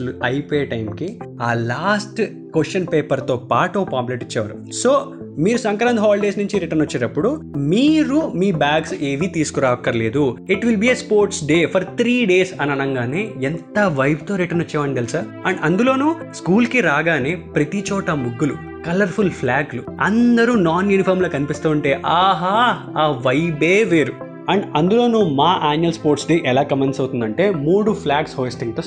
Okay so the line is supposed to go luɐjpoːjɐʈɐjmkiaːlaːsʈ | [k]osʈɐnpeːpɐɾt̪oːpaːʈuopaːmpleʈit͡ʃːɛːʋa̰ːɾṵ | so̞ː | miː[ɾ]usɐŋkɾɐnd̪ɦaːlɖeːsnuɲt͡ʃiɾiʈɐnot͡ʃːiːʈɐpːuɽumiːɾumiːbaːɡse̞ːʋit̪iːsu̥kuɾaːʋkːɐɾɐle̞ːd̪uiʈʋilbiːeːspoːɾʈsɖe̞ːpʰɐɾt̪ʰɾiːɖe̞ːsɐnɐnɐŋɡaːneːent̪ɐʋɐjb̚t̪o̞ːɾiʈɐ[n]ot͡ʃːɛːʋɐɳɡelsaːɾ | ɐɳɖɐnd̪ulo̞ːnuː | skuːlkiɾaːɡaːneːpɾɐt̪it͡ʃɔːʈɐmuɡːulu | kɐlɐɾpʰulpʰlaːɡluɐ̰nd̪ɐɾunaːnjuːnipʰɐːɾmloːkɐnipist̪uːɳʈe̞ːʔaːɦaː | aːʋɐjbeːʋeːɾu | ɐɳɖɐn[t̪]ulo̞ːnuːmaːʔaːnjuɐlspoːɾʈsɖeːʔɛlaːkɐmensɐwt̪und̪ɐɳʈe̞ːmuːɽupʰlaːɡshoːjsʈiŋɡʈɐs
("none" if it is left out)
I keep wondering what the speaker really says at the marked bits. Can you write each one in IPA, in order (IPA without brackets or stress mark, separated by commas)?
k, ɾ, n, d̪